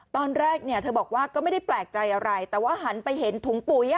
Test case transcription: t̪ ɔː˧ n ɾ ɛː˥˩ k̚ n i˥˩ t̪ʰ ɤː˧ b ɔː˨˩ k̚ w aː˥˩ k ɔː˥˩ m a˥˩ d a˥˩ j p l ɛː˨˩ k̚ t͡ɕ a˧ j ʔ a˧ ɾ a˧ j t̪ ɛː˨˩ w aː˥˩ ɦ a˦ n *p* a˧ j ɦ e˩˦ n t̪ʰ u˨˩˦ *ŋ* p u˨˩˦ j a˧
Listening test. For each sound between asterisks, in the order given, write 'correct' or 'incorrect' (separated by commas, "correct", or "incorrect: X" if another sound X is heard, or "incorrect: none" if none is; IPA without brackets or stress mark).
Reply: correct, correct